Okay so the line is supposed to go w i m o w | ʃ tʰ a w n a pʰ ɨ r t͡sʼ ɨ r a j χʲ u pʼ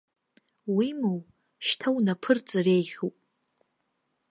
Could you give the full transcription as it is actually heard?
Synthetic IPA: w i m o w | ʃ tʰ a w n a pʰ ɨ r t͡sʼ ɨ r e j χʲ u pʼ